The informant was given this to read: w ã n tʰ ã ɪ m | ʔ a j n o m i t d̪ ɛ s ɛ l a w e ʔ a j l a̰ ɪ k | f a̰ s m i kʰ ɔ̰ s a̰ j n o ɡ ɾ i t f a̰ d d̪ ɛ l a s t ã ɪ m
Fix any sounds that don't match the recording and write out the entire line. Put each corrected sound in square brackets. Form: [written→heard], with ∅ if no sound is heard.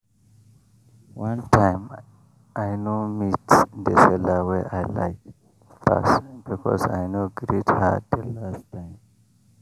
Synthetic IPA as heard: w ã n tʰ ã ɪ m | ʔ a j n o m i t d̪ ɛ s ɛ l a w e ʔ a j l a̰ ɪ k | f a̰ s [m→b] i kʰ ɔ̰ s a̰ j n o ɡ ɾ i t [f→h] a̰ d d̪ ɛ l a s t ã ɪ m